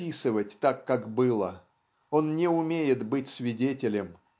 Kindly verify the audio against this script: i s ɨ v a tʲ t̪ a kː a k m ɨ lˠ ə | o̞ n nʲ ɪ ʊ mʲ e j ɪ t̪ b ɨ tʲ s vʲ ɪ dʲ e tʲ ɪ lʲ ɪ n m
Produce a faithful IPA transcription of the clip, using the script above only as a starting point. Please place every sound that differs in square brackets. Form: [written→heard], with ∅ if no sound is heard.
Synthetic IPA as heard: i s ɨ v [a→ə] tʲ t̪ a kː a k [m→b] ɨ lˠ ə | o̞ n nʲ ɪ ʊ mʲ e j ɪ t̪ b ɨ tʲ s vʲ ɪ dʲ e tʲ ɪ lʲ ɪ [n→∅] m